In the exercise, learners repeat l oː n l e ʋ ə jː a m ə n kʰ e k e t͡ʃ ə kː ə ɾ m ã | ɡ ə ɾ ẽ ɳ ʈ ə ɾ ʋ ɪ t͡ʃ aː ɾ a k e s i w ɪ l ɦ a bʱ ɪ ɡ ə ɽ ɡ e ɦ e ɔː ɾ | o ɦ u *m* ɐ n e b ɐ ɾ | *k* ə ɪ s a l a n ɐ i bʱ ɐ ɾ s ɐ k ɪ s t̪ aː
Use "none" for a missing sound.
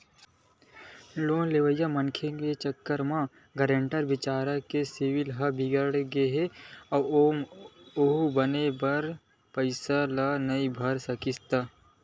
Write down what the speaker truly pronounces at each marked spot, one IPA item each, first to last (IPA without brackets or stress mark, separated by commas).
b, p